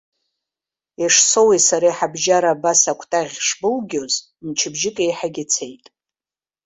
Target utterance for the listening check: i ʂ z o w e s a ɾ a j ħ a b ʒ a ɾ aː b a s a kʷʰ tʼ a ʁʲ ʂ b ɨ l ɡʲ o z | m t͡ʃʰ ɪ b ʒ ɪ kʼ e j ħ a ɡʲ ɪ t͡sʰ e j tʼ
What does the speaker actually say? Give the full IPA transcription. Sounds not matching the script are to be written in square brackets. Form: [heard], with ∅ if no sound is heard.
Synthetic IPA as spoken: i ʂ [s] o w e s a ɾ a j ħ a b ʒ a ɾ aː b a s a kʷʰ tʼ a ʁʲ ʂ b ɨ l ɡʲ o z | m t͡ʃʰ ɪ b ʒ ɪ kʼ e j ħ a ɡʲ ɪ t͡sʰ e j tʼ